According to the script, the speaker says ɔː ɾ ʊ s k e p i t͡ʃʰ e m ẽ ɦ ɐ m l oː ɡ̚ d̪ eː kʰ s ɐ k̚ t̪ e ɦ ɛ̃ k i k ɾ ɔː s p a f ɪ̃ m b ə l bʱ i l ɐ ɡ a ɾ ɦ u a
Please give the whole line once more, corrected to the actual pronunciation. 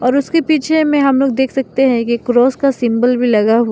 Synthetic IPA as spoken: ɔː ɾ ʊ s k e p iː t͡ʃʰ e m ẽ ɦ ɐ m l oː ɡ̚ d̪ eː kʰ s ɐ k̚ t̪ e ɦ ɛ̃ k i k ɾ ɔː s k a s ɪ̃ m b ə l bʱ i l ɐ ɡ a ɦ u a

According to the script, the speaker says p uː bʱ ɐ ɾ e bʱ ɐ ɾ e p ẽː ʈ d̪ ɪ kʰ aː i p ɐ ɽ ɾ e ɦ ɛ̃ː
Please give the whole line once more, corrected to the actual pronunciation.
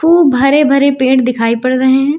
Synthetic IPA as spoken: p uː bʱ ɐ ɾ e bʱ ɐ ɾ e p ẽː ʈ d̪ ɪ kʰ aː i p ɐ ɽ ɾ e ɦ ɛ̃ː

